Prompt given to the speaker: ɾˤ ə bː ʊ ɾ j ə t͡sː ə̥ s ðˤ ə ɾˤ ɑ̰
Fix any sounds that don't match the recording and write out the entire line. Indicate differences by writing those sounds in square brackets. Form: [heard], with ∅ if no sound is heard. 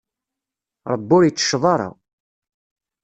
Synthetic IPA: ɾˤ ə bː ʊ ɾ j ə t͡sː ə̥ [ʃ] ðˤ [ɑ] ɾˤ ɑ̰

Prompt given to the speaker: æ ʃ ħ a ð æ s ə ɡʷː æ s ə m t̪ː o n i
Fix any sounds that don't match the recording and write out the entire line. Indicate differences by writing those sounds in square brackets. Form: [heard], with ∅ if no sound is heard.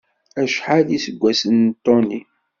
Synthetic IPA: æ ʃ ħ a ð [i] s ə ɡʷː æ s ə [n] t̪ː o n i

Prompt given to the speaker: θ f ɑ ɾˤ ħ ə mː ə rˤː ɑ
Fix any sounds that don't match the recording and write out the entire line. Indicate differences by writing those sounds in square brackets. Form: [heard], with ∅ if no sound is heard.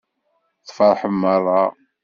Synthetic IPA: θ f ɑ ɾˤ ħ ə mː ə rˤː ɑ

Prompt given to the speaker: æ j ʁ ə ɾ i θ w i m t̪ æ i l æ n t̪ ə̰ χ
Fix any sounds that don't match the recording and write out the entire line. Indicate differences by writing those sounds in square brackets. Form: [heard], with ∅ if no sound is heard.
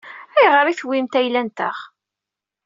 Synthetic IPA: æ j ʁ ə ɾ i θ w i m t̪ æ [j] l æ n t̪ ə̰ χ

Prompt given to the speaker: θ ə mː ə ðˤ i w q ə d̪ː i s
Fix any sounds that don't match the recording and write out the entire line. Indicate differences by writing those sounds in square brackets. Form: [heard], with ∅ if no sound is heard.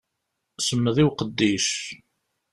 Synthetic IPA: [s] ə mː ə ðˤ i w q ə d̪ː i [ʃ]

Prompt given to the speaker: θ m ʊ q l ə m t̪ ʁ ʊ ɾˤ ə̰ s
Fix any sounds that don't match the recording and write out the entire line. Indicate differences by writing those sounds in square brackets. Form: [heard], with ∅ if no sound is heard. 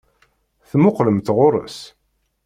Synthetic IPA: θ m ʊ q l ə m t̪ ʁ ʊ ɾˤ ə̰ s

